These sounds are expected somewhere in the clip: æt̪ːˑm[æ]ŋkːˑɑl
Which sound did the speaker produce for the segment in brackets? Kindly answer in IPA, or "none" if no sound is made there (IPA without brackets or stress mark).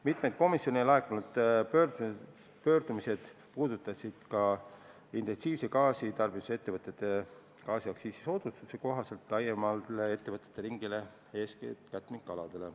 i